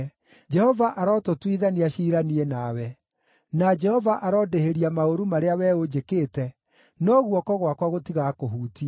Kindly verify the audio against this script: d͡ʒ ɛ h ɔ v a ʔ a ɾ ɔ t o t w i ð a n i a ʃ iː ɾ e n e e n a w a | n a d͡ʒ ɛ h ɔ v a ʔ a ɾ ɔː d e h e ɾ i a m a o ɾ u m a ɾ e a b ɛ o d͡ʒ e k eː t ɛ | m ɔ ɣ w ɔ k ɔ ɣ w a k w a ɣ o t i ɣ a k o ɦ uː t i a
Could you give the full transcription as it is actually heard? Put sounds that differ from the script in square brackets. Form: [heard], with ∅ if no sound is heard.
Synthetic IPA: d͡ʒ ɛ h ɔ v a ʔ a ɾ ɔ t o t w i ð a n i a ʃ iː ɾ [a] n [i] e n a w [ɛ] | n a d͡ʒ ɛ h ɔ v a ʔ a ɾ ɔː d e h e ɾ i a m a o ɾ u m a ɾ e a [w] ɛ o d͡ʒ e k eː t ɛ | [n] ɔ ɣ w ɔ k ɔ ɣ w a k w a ɣ o t i ɣ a k o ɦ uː t i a